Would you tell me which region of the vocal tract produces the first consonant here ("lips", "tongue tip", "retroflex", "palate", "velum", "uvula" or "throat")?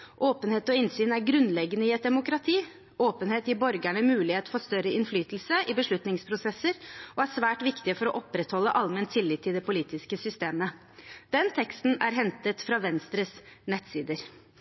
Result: throat